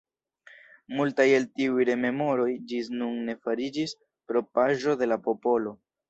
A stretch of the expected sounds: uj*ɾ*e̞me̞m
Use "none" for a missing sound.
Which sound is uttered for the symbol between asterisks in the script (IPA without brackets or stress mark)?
ɾ